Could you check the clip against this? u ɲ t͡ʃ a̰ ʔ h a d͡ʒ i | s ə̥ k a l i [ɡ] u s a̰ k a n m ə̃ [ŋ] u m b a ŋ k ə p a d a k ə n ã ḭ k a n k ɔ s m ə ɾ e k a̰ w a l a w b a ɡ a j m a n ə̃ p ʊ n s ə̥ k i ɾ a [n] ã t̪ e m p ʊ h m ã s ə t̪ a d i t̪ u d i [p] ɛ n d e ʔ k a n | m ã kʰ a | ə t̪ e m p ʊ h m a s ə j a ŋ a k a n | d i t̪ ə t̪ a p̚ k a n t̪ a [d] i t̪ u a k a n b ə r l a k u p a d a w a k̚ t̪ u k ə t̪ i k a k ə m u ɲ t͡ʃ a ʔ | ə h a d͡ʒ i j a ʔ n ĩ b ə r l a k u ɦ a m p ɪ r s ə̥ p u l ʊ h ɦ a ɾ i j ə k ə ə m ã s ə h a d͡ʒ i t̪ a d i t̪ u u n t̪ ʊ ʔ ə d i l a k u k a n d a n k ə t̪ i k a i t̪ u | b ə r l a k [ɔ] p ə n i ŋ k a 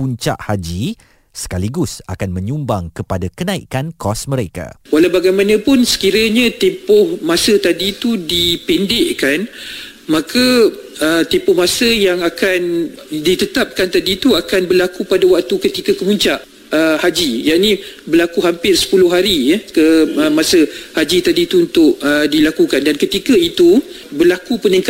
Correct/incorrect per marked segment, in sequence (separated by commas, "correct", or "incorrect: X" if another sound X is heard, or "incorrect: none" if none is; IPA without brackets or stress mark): correct, incorrect: ɲ, incorrect: ɲ, correct, correct, incorrect: u